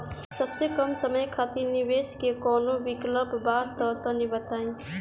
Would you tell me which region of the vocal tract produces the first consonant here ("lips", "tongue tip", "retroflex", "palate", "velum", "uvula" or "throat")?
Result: tongue tip